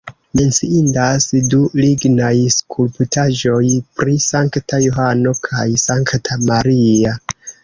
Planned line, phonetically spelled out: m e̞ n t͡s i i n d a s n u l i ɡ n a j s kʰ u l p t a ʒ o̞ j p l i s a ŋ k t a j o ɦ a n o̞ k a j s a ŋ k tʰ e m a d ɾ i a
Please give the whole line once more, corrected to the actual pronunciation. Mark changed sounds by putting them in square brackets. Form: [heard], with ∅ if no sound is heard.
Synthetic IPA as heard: m e̞ n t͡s i i n d a s [d] u l i ɡ n a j s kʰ u l p t a ʒ o̞ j p [ɾ] i s a ŋ k t a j o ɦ a n o̞ [kʰ] a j s a ŋ k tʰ [a] m a [∅] ɾ i a